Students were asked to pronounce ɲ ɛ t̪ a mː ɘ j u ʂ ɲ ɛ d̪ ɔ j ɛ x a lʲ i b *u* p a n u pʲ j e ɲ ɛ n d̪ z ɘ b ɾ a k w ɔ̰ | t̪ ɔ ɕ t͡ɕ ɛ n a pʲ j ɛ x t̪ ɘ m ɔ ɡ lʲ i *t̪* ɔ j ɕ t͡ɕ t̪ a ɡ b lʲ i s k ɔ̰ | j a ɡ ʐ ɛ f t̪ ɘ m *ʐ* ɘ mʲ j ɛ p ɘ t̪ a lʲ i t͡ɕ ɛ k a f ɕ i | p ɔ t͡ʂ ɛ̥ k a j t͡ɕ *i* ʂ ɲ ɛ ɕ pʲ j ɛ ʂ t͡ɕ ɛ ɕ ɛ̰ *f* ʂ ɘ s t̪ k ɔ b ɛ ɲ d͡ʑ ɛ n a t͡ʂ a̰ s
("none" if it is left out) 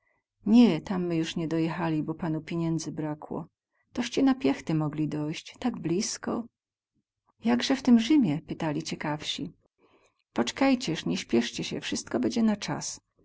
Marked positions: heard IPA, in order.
ɔ, d̪, ʐ, ɛ, f

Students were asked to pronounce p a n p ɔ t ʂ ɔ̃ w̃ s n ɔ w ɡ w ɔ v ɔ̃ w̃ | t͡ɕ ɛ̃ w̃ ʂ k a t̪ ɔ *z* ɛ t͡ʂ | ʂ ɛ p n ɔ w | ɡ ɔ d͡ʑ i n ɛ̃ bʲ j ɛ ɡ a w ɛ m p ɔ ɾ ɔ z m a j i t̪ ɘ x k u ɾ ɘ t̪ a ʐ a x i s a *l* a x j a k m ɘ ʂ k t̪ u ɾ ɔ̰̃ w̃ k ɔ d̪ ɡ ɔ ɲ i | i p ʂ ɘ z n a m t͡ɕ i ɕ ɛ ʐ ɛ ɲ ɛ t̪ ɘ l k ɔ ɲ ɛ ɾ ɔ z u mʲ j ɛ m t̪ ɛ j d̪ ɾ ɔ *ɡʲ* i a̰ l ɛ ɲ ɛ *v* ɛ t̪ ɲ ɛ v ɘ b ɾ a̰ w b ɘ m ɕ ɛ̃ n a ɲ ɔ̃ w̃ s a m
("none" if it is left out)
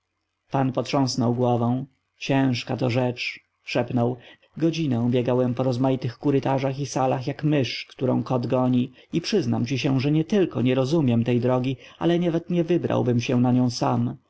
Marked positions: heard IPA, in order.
ʐ, l, ɡʲ, v

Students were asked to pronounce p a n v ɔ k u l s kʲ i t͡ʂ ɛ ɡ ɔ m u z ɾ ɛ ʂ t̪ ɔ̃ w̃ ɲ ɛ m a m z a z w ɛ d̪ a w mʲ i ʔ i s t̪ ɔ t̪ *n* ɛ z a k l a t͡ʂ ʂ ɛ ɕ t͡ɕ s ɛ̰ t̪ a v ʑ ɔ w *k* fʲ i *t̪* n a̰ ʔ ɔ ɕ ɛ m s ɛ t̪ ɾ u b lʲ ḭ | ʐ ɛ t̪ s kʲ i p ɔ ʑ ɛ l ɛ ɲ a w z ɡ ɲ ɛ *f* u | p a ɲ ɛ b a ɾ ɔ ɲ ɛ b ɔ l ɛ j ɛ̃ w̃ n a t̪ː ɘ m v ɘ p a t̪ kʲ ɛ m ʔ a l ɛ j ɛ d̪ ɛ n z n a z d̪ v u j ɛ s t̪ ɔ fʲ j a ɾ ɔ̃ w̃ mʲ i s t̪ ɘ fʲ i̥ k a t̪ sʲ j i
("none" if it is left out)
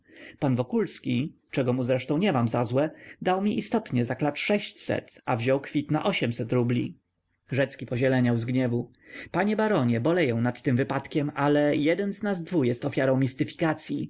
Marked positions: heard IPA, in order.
ɲ, k, t̪, v

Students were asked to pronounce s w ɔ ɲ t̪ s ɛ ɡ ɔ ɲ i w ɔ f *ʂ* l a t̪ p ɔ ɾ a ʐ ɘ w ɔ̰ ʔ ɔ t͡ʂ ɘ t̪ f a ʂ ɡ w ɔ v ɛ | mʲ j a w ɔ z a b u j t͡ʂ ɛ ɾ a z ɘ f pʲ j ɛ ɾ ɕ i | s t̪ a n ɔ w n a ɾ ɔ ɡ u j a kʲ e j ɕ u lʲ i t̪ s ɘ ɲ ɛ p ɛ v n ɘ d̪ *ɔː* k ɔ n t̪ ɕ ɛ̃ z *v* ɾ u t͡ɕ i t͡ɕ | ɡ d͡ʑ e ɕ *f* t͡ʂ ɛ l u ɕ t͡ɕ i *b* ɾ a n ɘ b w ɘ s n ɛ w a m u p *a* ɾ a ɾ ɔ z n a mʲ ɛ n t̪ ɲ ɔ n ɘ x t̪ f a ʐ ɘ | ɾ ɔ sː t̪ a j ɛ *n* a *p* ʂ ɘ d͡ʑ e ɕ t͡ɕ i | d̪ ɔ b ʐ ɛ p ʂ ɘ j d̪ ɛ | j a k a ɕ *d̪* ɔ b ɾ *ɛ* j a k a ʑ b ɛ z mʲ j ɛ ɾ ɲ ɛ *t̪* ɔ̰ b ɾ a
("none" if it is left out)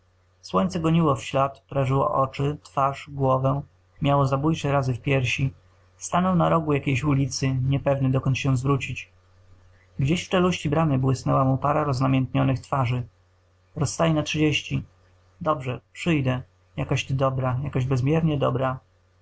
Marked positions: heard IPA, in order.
ɕ, ɔ, v, f, b, a, n, t, d̪, a, d̪

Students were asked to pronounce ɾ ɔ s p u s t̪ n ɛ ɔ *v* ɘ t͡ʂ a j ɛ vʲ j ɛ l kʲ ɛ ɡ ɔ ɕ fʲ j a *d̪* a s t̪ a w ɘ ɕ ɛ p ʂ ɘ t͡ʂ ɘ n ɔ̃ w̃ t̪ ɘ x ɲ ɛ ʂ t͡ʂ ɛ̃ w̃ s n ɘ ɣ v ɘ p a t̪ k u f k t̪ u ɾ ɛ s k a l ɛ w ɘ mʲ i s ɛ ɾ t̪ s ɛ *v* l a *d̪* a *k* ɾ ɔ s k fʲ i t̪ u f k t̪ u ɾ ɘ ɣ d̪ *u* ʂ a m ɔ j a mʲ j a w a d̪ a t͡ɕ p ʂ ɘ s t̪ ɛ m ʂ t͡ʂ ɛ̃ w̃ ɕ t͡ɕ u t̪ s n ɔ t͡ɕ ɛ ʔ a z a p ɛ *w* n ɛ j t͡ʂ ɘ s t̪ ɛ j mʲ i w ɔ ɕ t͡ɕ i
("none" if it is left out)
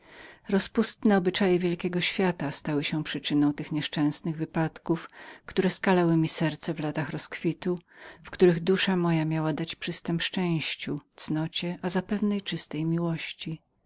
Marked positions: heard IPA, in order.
b, t̪, v, t̪, x, u, v

